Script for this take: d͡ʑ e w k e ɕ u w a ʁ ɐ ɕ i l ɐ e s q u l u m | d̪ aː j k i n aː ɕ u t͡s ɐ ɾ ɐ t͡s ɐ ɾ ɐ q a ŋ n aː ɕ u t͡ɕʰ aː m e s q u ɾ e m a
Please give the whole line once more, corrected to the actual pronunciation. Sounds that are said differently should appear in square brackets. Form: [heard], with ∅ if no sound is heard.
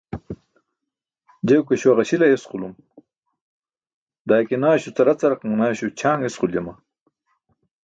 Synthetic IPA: d͡ʑ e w k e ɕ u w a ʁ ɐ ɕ i l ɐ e s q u l u m | d̪ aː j k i n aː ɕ u t͡s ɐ ɾ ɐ t͡s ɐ ɾ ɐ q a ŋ n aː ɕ u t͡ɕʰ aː [ŋ] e s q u [l] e m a

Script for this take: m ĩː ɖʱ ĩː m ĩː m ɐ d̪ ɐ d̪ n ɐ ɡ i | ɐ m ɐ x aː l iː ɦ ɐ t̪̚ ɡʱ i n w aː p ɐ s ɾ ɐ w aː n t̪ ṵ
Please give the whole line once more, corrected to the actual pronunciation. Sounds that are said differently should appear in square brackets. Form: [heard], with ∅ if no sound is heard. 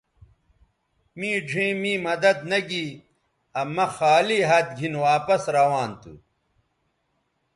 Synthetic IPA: m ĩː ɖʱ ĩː m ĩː m ɐ d̪ ɐ d̪ n ɐ ɡ i | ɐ m ɐ x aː l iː ɦ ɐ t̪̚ ɡʱ i n w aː p ɐ s ɾ ɐ w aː n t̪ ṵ

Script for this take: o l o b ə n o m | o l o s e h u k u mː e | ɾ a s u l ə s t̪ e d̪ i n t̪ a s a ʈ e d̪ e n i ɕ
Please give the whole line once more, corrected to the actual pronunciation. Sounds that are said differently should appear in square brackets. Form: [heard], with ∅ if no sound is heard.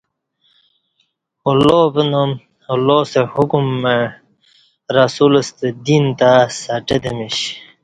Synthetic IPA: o l o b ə n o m | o l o s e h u k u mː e | ɾ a s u l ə s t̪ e d̪ i n t̪ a s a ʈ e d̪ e [m] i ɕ

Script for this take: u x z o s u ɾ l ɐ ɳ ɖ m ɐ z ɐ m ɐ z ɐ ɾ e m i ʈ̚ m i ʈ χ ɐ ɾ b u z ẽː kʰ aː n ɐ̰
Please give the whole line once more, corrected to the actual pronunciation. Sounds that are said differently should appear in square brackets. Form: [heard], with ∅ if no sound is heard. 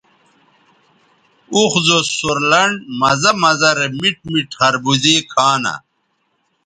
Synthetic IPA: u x z o s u ɾ l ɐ ɳ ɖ m ɐ z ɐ m ɐ z ɐ ɾ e m i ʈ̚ m i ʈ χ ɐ ɾ b u z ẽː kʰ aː n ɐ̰

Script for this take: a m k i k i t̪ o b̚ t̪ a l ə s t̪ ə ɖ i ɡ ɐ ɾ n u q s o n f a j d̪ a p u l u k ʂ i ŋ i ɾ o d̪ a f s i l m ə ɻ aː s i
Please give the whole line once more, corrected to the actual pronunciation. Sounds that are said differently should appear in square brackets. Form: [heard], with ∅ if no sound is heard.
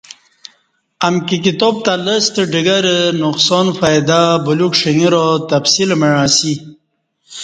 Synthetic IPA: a m k i k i t̪ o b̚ t̪ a l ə s t̪ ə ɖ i ɡ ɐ ɾ n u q s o n f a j d̪ a [b] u l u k ʂ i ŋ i ɾ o [t̪] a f s i l m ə ɻ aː s i

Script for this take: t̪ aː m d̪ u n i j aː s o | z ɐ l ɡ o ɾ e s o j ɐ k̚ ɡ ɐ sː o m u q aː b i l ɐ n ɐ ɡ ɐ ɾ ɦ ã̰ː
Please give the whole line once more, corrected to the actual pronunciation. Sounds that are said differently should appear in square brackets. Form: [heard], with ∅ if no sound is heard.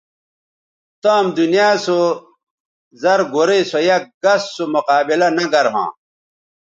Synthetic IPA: t̪ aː m d̪ u n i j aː s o | z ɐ [ɾ] ɡ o ɾ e s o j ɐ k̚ ɡ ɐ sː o m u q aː b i l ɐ n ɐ ɡ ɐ ɾ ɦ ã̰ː

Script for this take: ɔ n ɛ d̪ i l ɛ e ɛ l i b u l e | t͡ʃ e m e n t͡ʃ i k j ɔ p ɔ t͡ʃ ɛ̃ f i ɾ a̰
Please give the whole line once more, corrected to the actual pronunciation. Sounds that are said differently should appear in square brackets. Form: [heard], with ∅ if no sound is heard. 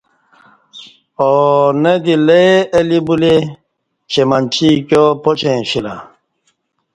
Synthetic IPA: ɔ n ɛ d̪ i l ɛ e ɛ l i b u l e | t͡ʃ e m [a] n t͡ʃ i k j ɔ p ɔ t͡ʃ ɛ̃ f i [l] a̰

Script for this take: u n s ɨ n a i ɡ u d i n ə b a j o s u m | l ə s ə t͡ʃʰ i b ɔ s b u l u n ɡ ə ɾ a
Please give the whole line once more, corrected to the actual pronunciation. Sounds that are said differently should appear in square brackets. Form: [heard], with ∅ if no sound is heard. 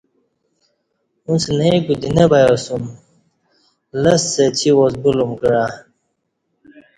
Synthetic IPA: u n s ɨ n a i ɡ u d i n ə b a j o s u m | l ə s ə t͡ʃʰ i [w] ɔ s b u l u [m] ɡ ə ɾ a

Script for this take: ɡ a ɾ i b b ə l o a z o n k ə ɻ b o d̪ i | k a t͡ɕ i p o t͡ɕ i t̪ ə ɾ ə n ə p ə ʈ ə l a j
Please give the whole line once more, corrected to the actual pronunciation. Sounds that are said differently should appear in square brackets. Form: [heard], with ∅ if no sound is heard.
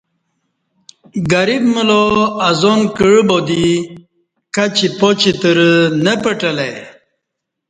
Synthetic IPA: ɡ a ɾ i b [m] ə l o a z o n k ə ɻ b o d̪ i | k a t͡ɕ i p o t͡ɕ i t̪ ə ɾ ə n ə p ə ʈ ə l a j

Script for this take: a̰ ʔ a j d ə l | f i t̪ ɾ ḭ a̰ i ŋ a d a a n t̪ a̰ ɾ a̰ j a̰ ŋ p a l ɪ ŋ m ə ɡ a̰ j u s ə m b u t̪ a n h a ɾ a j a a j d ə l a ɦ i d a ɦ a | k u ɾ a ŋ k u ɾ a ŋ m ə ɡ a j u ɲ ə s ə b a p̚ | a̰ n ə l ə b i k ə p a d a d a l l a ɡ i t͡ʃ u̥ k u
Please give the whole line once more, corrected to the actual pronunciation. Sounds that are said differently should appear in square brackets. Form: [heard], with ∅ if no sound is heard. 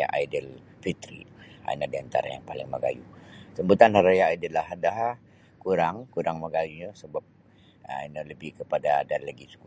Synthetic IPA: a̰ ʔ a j d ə l | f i t̪ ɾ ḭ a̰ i [n] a d [i] a n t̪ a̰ ɾ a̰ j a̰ ŋ p a l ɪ ŋ m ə ɡ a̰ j u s ə m b u t̪ a n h a ɾ a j a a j d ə l a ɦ [a] d a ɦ a | k u ɾ a ŋ k u ɾ a ŋ m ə ɡ a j u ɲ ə s ə b a p̚ | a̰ n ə l ə b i k ə p a d a d a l l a ɡ i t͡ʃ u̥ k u

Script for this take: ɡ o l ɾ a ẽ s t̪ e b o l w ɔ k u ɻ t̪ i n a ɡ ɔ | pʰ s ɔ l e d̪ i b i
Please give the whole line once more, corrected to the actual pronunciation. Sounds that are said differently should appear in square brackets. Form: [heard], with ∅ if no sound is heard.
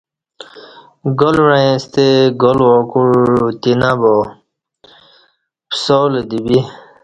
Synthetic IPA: ɡ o l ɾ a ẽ s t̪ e [ɡ] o l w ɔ k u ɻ t̪ i n a [b] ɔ | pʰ s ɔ l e d̪ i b i

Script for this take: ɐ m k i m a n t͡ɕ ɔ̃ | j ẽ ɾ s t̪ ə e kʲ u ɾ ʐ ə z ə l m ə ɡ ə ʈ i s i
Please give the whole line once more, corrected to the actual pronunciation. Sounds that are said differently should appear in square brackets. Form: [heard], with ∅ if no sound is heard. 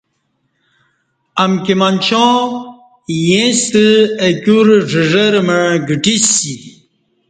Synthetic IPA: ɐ m k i m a n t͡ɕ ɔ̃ | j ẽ [∅] s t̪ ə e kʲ u ɾ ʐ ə [ʐ] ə [ɾ] m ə ɡ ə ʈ i s i

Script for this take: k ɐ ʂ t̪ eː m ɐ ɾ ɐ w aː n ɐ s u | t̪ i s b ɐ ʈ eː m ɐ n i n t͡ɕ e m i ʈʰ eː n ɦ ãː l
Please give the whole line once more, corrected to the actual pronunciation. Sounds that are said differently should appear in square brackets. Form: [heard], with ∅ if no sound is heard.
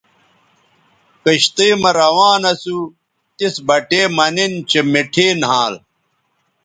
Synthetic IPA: k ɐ [ɕ] t̪ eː m ɐ ɾ ɐ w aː n ɐ s u | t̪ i s b ɐ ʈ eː m ɐ n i n t͡ɕ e m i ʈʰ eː n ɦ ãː l

